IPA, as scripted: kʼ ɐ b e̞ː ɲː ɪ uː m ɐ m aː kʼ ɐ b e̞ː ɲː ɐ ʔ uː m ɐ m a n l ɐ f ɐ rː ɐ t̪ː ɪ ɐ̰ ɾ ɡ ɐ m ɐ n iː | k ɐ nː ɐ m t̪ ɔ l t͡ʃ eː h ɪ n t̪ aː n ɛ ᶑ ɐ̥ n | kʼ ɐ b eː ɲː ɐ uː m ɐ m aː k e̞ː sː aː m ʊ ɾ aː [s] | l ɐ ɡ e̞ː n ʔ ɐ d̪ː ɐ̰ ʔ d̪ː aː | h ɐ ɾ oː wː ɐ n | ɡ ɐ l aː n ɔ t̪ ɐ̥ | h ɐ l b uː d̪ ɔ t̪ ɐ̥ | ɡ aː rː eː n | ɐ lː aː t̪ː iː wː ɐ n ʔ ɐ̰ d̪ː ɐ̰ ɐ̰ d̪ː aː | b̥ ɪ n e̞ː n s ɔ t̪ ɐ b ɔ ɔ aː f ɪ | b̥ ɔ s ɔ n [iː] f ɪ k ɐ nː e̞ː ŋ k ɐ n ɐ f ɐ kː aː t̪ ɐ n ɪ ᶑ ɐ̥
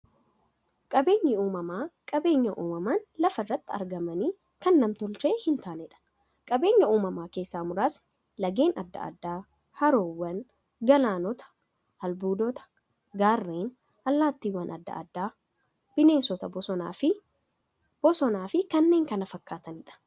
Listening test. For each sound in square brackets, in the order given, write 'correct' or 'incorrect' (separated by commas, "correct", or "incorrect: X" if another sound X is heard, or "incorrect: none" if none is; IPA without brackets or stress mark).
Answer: correct, incorrect: aː